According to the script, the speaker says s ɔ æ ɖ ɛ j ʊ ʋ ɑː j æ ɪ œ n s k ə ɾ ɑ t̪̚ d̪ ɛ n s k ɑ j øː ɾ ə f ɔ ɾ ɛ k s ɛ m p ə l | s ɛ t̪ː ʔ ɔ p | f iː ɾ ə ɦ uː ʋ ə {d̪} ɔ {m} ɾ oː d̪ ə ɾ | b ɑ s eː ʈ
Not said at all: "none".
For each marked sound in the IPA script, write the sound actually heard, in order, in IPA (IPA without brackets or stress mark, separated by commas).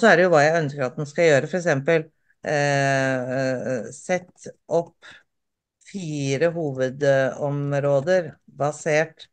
d̪, m